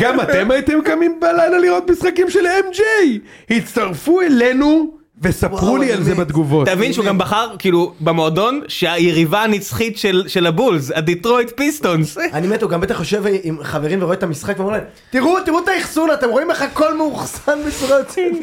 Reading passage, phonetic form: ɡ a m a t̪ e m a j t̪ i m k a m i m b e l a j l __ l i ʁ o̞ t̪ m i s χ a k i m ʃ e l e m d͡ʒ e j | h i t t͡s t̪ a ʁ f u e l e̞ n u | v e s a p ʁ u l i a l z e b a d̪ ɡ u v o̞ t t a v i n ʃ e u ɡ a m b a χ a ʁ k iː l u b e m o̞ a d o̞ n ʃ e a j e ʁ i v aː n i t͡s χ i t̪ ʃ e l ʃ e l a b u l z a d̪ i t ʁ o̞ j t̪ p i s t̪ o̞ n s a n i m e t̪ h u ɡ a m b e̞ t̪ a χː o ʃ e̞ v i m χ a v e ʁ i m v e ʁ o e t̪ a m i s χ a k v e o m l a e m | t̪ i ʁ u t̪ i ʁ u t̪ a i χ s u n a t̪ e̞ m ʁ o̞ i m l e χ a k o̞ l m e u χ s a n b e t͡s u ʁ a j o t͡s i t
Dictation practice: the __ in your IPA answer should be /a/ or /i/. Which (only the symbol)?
a